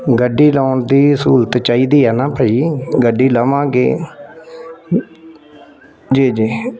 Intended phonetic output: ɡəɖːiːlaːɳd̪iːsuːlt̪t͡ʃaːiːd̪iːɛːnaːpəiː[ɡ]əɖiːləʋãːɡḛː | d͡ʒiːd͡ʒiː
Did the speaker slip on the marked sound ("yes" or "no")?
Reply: no